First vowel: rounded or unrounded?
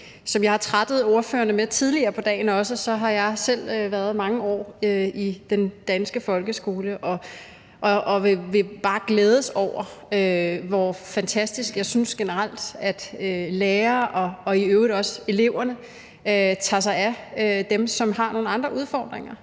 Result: rounded